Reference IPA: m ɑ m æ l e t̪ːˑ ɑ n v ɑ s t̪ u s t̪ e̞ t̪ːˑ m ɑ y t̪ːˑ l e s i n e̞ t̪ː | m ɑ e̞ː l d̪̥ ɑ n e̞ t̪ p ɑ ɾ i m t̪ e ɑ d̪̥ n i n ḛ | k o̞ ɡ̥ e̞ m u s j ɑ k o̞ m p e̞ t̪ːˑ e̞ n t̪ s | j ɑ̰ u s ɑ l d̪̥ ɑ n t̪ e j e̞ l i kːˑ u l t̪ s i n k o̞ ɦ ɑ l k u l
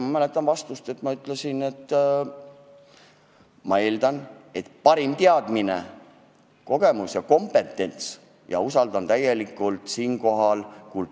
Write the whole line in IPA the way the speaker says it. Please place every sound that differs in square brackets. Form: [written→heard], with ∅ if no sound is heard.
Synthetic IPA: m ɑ m æ l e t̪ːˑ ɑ n v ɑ s t̪ u s t̪ e̞ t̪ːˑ m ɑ y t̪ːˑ l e s i n e̞ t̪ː | m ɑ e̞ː l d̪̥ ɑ n e̞ t̪ p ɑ ɾ i m t̪ e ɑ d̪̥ [n→m] i n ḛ | k o̞ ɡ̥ e̞ m u s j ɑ k o̞ m p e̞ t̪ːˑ e̞ n t̪ s | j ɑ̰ u s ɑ l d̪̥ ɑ n t̪ [e→æ] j e̞ l i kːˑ u l t̪ s [i→iː] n k o̞ ɦ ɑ l k u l

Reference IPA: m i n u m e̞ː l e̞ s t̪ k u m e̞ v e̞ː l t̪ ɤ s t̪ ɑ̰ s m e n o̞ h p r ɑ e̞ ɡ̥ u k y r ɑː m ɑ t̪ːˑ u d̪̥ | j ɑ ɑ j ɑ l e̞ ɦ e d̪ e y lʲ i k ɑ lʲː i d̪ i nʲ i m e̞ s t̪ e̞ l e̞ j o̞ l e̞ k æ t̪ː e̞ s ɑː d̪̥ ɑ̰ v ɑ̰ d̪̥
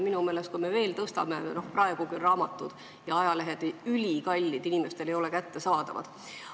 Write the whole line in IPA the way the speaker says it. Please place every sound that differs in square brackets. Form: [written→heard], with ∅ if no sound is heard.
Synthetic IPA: m i n u m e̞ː l e̞ s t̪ k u m e̞ v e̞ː l t̪ ɤ s t̪ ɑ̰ [s→∅] m e n o̞ h p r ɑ e̞ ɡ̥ u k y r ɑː m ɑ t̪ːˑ u d̪̥ | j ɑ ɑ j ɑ l e̞ ɦ e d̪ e y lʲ i k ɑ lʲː i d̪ i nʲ i m e̞ s t̪ e̞ l e̞ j o̞ l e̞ k æ t̪ː e̞ s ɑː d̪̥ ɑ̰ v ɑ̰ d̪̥

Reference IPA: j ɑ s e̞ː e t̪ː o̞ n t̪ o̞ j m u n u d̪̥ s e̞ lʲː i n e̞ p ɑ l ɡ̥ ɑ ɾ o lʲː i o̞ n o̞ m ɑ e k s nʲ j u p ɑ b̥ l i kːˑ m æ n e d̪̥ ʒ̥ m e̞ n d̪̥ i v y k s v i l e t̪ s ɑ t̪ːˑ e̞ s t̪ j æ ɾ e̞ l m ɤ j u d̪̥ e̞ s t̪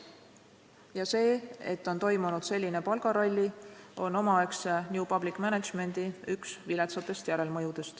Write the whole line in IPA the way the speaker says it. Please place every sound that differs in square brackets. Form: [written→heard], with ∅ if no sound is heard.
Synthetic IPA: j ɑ s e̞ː e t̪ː o̞ n t̪ o̞ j m u n u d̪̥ s e̞ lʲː i n e̞ p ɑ l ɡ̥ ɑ ɾ o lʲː i o̞ n o̞ m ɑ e k s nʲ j u p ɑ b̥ l i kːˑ m æ n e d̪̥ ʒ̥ m e̞ n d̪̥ i [v→∅] y k s v i l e t̪ s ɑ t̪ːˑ e̞ s t̪ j æ ɾ e̞ l m ɤ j u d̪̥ e̞ s t̪

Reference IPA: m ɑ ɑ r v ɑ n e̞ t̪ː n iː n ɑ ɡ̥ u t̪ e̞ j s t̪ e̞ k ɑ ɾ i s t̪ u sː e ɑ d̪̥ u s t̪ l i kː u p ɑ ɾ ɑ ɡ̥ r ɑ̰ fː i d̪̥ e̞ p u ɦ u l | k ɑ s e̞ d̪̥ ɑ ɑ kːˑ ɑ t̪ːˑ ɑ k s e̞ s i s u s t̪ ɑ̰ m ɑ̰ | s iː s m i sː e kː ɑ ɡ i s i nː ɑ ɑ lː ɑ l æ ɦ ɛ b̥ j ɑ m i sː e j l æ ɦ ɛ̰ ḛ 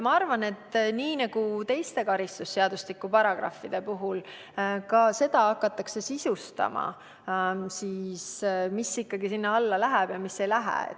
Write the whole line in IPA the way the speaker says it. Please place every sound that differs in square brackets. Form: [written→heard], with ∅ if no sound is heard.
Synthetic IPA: m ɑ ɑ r v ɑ n e̞ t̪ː n iː n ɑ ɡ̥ u t̪ e̞ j s t̪ e̞ k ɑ ɾ i s t̪ u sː e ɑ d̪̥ u s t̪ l i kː u p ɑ ɾ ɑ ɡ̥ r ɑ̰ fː i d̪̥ e̞ p u ɦ u l | k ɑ s e̞ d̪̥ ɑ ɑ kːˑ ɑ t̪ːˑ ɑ k s e̞ s i s u s t̪ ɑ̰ m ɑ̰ | s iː s m i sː [e→i] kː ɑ ɡ i s i nː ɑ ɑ lː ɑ l æ ɦ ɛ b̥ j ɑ m i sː e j l æ ɦ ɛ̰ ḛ

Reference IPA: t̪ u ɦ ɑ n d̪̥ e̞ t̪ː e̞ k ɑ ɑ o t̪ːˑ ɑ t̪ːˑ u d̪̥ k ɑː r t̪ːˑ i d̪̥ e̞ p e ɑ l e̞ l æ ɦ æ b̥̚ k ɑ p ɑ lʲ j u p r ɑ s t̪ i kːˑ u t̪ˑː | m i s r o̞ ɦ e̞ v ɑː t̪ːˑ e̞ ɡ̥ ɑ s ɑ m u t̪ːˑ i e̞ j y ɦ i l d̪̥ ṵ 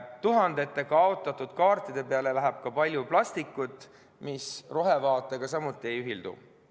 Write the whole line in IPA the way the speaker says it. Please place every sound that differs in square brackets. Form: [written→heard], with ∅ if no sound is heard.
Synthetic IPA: t̪ u ɦ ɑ n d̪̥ e̞ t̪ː e̞ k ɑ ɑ o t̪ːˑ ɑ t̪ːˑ u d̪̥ k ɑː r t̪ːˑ i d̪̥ e̞ p e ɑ l e̞ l æ ɦ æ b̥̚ k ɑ p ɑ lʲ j u p [r→l] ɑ s t̪ i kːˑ u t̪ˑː | m i s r o̞ ɦ e̞ v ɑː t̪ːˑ e̞ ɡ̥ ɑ s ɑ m u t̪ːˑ i e̞ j y ɦ i l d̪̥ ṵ

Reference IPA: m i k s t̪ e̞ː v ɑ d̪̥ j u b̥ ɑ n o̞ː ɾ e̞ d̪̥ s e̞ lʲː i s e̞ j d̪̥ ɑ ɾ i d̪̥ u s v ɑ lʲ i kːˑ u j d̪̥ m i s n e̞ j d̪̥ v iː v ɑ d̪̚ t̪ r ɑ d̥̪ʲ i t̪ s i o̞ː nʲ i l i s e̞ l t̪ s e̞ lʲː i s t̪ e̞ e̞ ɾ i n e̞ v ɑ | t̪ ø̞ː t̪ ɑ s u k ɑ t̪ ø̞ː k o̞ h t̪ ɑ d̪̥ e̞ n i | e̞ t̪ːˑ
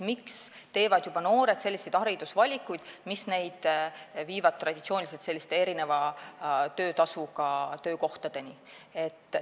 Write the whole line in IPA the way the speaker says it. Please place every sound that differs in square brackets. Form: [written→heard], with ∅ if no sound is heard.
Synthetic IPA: m i k s t̪ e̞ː v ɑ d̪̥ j u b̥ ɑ n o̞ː ɾ e̞ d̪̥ s e̞ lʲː i s e̞ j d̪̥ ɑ ɾ i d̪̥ u s v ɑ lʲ i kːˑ u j d̪̥ m i s n e̞ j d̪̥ v iː v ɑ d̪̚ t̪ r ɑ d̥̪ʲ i t̪ s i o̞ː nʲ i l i s e̞ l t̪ s e̞ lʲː i s t̪ e̞ e̞ ɾ i n e̞ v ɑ | t̪ ø̞ː t̪ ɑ s u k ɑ t̪ ø̞ː k o̞ h t̪ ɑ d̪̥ e̞ n i | e̞ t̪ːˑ

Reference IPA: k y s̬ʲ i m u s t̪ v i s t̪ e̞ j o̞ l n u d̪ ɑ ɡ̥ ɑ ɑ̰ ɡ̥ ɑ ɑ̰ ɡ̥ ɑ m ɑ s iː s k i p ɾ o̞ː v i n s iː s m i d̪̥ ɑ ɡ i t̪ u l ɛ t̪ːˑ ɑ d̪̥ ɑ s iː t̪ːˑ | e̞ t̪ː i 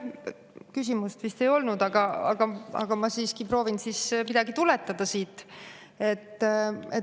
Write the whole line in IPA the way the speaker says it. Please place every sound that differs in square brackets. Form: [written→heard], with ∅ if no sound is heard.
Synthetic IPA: k y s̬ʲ i m u s t̪ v i s t̪ e̞ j o̞ l n u d̪ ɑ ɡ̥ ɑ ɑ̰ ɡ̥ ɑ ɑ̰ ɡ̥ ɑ m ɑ s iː s k i p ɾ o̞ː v i n s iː s m i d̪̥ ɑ ɡ i t̪ u l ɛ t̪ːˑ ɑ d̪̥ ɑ s iː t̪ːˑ | e̞ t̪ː [i→e]

